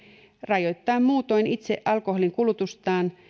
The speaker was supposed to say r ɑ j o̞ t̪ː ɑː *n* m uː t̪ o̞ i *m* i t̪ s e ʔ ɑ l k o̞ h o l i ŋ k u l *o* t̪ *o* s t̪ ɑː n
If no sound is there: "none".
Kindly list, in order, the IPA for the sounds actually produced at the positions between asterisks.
m, n, u, u

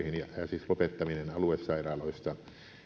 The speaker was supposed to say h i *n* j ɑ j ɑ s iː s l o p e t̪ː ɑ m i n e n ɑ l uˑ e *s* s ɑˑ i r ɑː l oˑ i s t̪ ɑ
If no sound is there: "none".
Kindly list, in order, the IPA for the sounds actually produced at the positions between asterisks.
n, s

